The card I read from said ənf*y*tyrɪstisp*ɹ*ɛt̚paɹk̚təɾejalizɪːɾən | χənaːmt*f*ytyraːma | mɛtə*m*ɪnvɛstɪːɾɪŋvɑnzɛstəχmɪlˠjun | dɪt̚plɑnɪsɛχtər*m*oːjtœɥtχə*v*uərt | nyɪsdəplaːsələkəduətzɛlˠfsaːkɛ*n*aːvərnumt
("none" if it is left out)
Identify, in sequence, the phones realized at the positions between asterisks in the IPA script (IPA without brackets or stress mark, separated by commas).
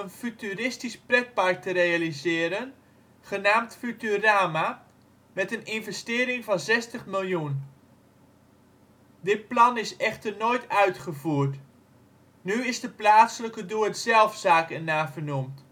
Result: y, r, f, n, n, v, n